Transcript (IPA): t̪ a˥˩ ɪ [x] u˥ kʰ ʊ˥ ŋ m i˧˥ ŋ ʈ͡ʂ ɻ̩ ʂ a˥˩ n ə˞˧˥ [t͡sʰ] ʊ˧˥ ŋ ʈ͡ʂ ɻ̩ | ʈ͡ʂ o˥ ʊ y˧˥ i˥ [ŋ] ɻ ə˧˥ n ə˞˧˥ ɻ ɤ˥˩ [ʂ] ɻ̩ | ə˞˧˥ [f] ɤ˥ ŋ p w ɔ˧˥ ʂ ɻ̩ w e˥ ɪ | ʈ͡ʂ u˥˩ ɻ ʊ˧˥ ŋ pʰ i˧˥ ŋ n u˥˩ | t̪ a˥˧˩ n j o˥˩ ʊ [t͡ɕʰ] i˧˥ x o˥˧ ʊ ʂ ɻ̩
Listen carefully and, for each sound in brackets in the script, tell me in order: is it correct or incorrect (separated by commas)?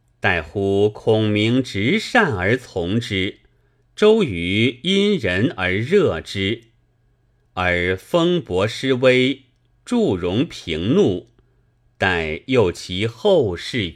correct, correct, incorrect, incorrect, correct, correct